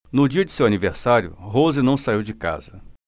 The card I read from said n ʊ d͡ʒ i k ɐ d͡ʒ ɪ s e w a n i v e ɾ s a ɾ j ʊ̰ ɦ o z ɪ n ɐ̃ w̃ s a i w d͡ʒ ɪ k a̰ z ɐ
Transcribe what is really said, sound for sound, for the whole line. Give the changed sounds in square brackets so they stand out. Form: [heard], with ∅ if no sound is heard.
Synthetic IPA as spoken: n ʊ d͡ʒ i [∅] ɐ d͡ʒ ɪ s e w a n i v e ɾ s a ɾ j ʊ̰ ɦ o z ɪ n ɐ̃ w̃ s a i w d͡ʒ ɪ k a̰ z ɐ